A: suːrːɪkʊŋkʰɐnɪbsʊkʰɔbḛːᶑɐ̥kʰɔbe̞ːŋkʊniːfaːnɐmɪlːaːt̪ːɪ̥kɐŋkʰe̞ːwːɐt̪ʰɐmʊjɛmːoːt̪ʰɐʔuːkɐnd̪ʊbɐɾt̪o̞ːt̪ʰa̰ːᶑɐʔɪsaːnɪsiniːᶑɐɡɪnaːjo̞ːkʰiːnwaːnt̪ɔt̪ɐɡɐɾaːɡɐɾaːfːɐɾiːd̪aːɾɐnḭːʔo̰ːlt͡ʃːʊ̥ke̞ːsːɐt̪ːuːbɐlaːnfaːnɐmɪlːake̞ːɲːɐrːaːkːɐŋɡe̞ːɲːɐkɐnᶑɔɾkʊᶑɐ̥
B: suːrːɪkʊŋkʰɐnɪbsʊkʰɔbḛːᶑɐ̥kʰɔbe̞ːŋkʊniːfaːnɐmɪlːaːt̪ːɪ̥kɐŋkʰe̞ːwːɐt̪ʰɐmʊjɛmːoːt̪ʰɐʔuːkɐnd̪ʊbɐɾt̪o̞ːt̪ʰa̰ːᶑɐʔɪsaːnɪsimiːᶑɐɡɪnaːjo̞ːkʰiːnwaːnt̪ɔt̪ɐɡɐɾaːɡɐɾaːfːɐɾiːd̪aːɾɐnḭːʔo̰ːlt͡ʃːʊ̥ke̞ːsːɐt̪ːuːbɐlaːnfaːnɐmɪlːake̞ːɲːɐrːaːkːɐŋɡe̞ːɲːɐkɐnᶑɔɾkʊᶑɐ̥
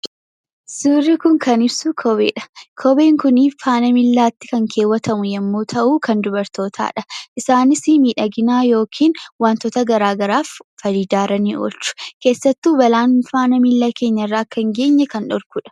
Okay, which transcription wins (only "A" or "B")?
B